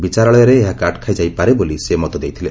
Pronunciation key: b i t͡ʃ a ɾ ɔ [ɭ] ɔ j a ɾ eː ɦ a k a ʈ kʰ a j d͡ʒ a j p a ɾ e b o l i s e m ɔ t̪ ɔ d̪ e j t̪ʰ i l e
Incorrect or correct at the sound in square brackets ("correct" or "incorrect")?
correct